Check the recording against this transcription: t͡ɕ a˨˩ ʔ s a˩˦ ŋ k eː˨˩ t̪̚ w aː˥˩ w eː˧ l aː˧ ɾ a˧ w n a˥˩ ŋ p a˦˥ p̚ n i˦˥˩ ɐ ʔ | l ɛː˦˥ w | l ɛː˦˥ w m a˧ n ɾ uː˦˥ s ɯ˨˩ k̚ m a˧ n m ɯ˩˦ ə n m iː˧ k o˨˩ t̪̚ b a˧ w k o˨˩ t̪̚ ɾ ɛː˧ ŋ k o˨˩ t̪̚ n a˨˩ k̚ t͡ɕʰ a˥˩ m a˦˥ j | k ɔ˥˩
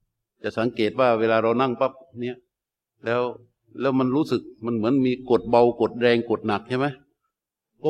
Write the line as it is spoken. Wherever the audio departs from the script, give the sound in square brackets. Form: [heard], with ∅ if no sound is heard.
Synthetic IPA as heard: t͡ɕ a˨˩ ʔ s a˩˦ ŋ k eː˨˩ t̪̚ w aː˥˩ w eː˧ l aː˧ ɾ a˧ w n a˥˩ ŋ p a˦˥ p̚ n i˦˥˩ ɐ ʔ | l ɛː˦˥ w | l ɛː˦˥ w m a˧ n ɾ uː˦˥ s ɯ˨˩ k̚ m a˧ n m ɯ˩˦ ə n m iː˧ k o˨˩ t̪̚ b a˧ w k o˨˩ t̪̚ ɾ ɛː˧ ŋ k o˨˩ t̪̚ n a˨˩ k̚ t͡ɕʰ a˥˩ m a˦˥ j | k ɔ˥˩